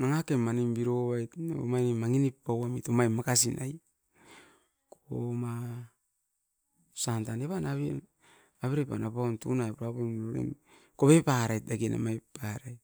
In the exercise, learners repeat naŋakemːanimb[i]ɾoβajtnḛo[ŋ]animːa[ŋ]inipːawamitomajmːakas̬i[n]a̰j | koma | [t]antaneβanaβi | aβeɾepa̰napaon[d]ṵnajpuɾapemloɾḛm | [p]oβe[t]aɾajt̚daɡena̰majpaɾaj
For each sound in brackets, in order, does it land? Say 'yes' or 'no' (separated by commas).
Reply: yes, no, yes, yes, no, no, no, no